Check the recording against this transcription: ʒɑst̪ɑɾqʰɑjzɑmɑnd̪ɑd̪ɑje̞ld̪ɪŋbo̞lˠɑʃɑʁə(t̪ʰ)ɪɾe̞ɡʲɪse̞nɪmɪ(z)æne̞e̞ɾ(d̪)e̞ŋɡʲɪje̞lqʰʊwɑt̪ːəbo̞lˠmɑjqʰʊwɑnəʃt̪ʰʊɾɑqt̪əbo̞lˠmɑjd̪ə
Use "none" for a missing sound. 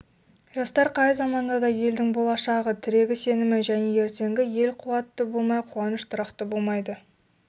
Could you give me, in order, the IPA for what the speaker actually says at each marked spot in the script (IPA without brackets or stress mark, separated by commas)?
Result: t̪ʰ, ʒ, t̪